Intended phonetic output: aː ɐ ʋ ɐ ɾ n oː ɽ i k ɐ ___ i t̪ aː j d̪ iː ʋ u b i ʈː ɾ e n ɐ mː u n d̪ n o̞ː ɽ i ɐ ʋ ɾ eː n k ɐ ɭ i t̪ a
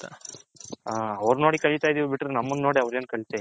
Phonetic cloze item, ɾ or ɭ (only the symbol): ɭ